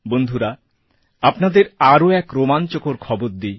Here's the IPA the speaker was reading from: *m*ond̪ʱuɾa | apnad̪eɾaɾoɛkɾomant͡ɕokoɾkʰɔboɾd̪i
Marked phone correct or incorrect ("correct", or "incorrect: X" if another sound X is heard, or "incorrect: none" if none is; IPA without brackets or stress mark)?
incorrect: b